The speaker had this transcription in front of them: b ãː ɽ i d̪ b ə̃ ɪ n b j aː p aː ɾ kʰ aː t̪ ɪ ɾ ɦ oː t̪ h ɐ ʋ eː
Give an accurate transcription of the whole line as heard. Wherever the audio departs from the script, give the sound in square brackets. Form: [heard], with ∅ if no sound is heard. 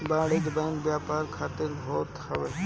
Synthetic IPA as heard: b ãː ɽ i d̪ b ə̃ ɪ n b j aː p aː ɾ kʰ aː t̪ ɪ ɾ ɦ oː t̪ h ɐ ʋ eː